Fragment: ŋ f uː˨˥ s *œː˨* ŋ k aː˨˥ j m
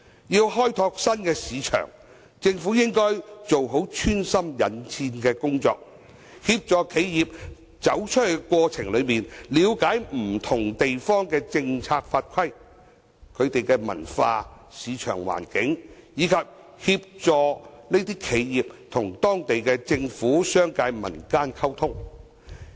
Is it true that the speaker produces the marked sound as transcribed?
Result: no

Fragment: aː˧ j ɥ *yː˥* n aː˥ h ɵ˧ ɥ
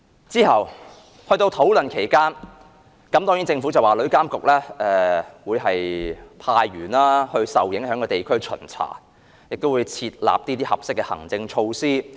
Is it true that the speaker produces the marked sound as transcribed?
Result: no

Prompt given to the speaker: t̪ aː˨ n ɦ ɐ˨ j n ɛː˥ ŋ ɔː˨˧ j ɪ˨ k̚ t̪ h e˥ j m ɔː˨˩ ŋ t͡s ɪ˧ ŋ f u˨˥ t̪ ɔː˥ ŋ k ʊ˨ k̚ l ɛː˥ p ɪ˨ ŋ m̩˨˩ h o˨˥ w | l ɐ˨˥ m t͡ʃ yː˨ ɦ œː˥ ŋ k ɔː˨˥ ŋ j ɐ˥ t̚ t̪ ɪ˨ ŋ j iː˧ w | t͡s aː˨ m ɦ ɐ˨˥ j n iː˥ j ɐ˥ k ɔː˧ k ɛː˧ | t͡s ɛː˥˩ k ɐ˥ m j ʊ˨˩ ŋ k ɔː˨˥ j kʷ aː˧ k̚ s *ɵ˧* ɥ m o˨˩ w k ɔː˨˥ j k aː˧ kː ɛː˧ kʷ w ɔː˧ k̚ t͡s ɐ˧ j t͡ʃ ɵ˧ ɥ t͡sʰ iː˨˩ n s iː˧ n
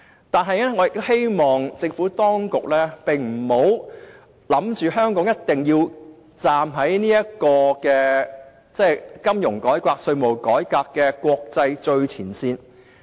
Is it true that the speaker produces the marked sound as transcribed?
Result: yes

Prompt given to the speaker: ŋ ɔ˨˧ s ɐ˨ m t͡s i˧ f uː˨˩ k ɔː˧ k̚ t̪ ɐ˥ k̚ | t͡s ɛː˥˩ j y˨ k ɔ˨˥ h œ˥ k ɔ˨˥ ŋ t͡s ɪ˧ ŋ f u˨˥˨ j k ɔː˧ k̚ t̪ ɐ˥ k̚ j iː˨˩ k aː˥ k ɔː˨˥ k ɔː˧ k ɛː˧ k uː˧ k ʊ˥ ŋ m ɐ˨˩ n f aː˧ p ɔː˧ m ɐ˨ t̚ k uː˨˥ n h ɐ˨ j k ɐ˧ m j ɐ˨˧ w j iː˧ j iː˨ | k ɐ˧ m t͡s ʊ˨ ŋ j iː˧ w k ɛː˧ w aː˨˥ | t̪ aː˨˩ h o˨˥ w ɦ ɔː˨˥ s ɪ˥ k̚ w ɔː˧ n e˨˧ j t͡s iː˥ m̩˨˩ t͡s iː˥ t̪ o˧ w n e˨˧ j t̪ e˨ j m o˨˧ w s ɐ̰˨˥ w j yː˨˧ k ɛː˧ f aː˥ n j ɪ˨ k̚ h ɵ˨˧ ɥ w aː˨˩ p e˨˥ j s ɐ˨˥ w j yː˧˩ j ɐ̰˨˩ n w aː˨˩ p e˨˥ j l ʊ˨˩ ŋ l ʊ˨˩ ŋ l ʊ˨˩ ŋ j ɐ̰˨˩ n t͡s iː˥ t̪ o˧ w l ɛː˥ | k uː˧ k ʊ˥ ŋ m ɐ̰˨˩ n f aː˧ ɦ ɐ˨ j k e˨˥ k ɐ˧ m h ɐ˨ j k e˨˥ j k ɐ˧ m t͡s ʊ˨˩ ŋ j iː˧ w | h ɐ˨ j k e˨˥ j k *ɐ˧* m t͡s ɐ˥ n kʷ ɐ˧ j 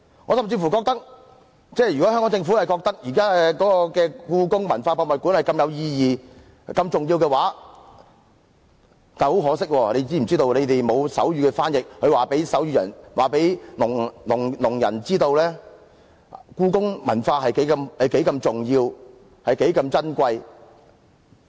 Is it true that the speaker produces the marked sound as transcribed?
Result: yes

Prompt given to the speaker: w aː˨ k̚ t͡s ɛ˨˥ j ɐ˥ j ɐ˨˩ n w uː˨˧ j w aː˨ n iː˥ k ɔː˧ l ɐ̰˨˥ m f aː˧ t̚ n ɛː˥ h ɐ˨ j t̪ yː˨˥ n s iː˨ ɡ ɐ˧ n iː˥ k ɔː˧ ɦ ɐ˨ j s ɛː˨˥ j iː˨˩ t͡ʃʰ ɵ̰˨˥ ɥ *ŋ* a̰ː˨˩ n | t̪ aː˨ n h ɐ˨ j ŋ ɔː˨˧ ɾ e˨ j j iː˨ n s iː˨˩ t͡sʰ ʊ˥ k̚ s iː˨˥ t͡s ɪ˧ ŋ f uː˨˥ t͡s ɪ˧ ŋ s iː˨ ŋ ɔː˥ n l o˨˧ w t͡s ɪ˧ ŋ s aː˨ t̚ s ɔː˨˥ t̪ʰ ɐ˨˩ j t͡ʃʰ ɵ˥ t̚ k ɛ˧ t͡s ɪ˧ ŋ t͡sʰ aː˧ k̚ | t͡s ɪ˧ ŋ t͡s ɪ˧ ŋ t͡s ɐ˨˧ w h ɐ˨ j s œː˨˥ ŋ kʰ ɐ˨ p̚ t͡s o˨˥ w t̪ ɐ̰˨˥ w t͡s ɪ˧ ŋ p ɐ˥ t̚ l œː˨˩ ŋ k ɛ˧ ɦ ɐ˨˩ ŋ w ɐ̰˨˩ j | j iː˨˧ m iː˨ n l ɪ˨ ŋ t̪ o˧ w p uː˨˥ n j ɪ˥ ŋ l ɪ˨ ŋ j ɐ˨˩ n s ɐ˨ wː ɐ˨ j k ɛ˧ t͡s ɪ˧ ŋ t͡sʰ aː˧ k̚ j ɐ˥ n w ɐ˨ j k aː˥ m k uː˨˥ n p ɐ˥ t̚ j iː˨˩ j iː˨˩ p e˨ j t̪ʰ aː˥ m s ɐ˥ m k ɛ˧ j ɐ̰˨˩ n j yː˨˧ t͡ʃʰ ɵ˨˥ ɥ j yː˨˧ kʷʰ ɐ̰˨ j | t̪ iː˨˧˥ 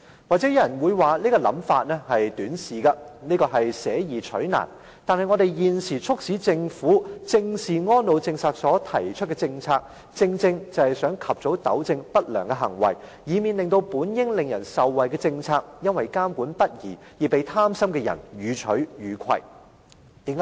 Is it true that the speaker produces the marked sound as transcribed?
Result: no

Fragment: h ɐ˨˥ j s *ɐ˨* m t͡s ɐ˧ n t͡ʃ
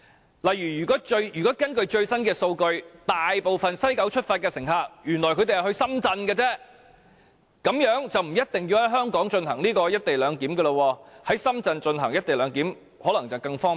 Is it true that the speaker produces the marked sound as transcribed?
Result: no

